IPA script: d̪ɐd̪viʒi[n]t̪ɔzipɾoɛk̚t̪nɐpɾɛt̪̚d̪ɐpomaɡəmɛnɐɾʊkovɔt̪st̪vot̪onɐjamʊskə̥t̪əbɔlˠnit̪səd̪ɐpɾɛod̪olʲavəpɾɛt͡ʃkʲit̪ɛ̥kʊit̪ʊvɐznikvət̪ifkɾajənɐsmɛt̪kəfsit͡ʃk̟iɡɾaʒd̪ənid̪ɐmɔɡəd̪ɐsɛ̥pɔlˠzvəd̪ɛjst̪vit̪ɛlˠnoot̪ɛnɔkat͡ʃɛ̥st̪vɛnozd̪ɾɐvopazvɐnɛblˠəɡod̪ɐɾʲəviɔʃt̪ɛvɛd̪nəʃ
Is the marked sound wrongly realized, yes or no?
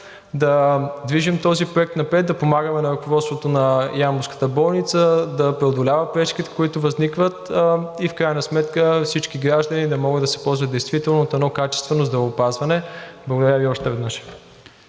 yes